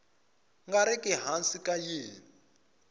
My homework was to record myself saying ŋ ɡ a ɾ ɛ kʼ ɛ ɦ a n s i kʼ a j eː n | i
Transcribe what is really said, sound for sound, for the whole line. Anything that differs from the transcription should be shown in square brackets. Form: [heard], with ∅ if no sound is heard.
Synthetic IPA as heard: ŋ ɡ a ɾ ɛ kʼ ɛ ɦ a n s i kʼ a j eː n | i